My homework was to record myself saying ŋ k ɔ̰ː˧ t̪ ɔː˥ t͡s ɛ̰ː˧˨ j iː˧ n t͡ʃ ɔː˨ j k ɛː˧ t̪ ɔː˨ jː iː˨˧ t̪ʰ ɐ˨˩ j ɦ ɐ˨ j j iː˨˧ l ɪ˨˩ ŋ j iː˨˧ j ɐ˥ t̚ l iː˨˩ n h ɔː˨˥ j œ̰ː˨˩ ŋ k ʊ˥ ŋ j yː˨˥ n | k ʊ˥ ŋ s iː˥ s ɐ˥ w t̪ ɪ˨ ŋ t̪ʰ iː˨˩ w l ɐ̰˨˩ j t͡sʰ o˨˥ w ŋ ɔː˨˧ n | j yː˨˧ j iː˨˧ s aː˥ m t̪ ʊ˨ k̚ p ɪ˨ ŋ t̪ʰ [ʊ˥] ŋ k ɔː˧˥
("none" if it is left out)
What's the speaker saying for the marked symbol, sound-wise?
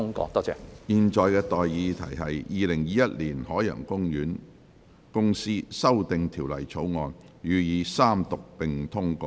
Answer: ʊ˥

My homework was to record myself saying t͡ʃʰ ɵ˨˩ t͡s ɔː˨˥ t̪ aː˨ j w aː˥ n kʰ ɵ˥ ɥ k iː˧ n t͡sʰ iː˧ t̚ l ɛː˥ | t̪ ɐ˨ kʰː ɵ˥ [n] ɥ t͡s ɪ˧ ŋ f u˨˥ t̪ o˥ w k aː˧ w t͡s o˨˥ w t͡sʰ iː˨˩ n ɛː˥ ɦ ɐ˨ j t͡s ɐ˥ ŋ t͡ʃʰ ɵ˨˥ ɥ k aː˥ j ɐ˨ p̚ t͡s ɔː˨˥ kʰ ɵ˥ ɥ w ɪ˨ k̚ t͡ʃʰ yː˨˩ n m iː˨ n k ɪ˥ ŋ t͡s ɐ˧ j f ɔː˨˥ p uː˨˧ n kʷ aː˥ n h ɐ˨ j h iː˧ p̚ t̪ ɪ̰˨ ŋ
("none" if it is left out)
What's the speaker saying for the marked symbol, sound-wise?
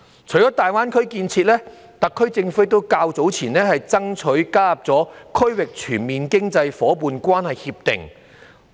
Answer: none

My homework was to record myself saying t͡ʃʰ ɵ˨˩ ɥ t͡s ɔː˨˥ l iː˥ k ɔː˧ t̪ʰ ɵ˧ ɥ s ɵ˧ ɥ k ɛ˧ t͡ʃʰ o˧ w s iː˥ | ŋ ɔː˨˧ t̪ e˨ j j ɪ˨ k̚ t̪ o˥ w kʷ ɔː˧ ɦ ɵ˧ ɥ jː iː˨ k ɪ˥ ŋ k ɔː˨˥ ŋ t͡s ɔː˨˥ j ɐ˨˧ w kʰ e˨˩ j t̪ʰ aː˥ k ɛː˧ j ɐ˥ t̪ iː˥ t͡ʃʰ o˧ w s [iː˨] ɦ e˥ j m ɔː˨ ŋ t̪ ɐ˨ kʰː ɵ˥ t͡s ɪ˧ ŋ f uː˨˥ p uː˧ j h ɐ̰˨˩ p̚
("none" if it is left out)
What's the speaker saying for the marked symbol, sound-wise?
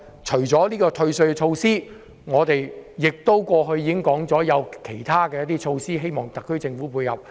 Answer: iː˥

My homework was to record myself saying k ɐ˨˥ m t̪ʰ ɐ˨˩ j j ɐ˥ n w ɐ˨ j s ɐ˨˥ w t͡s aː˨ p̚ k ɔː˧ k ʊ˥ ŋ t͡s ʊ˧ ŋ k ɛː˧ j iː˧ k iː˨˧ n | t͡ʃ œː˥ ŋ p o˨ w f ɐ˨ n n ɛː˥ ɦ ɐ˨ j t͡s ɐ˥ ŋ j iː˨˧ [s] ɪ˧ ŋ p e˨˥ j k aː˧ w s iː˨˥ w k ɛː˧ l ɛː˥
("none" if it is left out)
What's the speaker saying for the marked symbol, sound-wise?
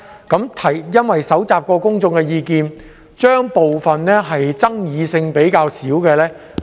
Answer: s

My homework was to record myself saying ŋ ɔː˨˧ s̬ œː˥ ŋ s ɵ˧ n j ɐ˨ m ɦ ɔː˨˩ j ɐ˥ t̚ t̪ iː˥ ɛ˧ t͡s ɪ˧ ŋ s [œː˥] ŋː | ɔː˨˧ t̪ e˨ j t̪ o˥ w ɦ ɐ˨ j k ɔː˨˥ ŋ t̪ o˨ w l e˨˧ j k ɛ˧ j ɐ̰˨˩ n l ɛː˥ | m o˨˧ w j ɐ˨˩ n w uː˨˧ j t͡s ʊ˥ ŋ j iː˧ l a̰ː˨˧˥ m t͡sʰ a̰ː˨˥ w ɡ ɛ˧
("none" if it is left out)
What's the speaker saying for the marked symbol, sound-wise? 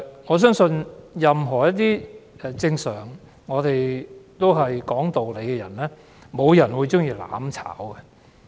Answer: œː˨˩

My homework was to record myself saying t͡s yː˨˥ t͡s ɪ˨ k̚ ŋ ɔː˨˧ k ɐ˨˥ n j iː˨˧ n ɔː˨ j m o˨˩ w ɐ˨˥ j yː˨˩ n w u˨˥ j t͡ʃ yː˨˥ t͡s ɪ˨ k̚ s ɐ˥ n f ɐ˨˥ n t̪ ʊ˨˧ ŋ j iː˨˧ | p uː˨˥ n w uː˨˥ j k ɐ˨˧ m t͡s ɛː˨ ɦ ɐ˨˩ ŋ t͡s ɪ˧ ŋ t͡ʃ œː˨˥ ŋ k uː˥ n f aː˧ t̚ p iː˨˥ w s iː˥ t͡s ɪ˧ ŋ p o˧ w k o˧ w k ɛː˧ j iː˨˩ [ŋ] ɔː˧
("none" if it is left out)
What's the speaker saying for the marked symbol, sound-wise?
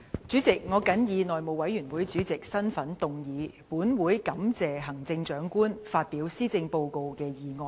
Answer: ŋ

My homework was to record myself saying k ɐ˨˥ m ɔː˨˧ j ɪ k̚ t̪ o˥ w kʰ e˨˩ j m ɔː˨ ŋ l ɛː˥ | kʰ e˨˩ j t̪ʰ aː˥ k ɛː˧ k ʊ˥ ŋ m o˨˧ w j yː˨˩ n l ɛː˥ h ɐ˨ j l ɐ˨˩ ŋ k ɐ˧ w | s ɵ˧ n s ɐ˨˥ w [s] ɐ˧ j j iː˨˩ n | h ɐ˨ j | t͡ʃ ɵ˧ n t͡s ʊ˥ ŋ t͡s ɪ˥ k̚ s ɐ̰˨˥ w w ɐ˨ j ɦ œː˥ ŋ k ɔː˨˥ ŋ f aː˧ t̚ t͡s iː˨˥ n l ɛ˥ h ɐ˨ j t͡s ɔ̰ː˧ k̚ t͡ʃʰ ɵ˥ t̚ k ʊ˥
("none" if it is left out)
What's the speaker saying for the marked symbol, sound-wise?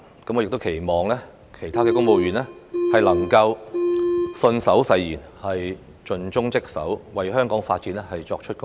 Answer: s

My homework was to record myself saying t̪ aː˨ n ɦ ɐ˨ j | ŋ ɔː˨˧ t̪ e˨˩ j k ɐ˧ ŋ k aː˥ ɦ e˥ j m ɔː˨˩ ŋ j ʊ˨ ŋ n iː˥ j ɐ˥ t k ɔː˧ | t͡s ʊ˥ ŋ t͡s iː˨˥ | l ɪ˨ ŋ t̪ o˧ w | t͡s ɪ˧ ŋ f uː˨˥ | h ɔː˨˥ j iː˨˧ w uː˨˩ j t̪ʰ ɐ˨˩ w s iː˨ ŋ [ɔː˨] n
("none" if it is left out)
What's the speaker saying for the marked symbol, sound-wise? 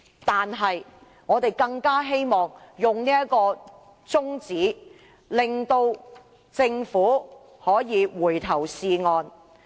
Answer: ɔː˨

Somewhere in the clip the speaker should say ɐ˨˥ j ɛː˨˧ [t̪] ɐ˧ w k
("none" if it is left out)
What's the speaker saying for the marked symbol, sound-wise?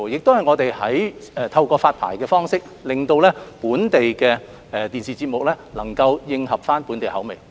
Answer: t̪ʰ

